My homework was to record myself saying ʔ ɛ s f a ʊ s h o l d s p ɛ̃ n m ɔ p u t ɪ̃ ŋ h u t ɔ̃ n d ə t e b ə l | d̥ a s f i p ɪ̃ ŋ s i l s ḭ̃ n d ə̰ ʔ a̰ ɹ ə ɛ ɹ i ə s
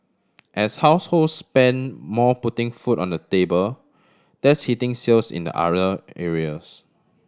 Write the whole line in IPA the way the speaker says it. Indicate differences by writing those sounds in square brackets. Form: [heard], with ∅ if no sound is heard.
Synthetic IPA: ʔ ɛ s [h] a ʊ s h o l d s p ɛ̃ n m ɔ p u t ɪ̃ ŋ [f] u t ɔ̃ n d ə t e b ə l | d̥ [ɛ] s [h] i [t] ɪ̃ ŋ s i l s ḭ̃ n d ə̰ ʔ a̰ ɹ ə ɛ ɹ i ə s